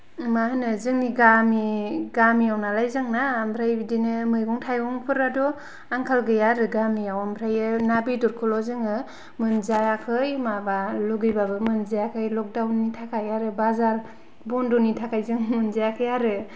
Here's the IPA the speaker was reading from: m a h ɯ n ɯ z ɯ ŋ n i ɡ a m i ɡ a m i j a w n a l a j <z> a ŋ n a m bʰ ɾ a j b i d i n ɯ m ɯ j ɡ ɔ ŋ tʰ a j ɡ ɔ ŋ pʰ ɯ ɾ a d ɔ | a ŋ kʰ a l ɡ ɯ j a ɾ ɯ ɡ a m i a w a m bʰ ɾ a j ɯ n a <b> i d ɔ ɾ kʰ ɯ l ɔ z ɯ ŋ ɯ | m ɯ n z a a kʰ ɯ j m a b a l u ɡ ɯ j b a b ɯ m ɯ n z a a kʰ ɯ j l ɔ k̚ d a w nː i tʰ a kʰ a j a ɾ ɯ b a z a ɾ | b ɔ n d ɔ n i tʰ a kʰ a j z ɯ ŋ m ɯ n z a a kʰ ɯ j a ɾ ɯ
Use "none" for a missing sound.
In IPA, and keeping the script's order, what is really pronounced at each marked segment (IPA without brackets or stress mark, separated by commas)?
z, b